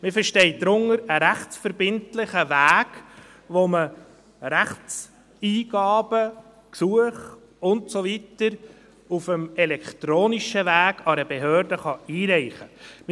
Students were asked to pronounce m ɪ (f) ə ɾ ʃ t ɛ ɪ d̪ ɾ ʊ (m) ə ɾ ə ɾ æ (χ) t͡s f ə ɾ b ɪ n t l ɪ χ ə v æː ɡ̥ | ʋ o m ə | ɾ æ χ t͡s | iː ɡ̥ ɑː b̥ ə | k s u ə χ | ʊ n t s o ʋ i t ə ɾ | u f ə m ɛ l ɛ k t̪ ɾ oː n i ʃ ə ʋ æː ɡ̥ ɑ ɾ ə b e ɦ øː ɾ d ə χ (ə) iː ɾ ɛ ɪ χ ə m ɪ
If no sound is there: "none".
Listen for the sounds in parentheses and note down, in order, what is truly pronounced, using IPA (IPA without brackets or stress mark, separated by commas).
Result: f, ŋ, χ, ɑ